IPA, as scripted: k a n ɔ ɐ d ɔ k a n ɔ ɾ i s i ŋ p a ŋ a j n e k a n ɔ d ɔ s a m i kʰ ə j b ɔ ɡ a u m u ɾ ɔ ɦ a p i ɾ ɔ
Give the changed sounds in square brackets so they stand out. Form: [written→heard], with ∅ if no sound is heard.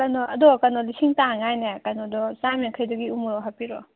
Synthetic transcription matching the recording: k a n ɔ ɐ d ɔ k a n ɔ [ɾ→l] i s i ŋ [p→t] a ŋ a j n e k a n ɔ d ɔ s a m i kʰ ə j [b→d] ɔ ɡ [a→i] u m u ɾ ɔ ɦ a p i ɾ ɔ